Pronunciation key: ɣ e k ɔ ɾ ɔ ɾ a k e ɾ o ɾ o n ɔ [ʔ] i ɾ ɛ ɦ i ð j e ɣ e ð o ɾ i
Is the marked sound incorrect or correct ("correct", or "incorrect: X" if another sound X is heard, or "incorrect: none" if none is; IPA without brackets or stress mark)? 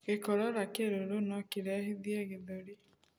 incorrect: k